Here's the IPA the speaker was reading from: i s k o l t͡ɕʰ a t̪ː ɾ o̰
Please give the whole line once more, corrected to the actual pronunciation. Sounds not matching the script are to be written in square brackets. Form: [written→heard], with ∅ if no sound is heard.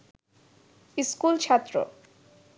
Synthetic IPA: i s k [o→u] l t͡ɕʰ a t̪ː ɾ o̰